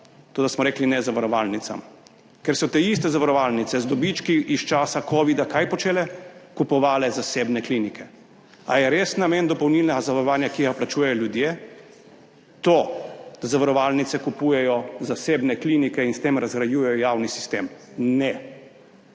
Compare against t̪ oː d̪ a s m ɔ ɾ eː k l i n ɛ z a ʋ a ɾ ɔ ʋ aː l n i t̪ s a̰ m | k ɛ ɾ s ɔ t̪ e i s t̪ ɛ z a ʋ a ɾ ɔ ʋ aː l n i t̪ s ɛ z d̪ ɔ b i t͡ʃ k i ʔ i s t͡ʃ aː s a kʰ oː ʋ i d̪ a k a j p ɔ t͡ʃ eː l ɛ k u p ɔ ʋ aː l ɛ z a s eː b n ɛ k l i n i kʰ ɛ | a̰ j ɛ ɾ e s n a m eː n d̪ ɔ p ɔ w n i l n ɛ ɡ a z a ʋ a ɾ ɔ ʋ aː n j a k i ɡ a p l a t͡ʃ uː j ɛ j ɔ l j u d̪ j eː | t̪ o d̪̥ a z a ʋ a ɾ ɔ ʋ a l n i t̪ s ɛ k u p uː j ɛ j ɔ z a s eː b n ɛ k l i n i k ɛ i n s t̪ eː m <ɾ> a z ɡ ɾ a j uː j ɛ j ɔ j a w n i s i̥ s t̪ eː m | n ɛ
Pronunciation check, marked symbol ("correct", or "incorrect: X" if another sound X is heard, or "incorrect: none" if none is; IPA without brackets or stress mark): correct